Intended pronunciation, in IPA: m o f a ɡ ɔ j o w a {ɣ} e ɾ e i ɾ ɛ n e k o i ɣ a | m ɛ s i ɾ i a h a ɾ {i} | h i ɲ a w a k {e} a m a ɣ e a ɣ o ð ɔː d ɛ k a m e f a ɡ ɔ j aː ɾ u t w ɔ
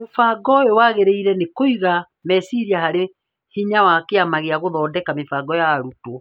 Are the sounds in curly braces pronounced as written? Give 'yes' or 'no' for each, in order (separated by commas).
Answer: yes, no, yes